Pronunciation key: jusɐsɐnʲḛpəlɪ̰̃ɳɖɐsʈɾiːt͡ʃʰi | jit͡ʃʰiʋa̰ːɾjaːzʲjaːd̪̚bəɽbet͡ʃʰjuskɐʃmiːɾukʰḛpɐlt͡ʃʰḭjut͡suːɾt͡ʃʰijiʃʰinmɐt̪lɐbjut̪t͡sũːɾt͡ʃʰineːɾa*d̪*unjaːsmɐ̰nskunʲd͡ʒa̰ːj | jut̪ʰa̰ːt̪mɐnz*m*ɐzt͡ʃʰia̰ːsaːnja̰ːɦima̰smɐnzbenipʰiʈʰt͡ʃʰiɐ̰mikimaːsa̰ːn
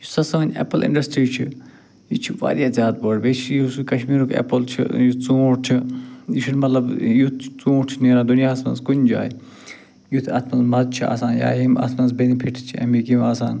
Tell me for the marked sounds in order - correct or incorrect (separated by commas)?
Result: correct, correct